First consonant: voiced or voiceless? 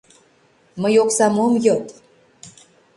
voiced